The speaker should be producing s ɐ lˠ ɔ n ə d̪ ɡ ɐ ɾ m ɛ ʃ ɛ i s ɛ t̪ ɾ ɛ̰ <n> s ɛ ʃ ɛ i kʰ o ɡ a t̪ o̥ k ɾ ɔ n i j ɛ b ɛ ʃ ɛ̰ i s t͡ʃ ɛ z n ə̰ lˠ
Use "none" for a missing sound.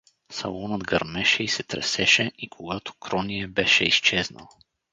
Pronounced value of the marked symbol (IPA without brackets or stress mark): none